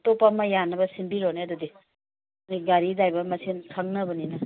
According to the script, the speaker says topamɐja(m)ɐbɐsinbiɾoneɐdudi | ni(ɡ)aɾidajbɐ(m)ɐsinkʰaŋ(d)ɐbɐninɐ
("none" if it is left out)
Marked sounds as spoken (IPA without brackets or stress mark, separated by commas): n, ɡ, m, n